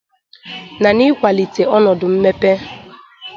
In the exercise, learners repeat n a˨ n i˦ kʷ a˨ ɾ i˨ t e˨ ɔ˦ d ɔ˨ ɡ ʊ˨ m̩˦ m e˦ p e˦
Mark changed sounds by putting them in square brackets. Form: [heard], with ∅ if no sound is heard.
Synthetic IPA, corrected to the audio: n a˨ n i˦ kʷ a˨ [l] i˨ t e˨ ɔ˦ [n] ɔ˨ [d] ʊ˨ m̩˦ m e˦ p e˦